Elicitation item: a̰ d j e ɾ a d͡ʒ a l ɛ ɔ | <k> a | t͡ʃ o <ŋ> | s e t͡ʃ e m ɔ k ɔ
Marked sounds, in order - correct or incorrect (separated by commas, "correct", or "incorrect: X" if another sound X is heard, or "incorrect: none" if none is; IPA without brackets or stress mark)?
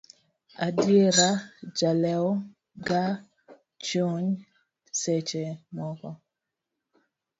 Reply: incorrect: ɡ, incorrect: ɲ